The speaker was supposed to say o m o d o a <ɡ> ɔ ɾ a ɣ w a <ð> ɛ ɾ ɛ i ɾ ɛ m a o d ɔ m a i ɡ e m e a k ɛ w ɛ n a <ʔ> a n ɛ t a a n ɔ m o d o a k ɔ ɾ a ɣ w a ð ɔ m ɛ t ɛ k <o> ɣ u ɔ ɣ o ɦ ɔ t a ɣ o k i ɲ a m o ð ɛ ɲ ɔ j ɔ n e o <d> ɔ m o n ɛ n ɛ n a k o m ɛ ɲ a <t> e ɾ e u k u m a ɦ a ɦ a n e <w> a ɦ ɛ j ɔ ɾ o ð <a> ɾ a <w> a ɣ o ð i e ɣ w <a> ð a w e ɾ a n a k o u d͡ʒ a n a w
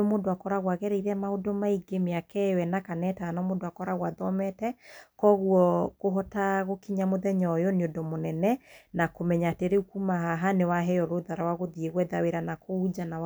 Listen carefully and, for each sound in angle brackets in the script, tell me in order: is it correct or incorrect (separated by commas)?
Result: incorrect, incorrect, incorrect, incorrect, correct, correct, correct, correct, correct, incorrect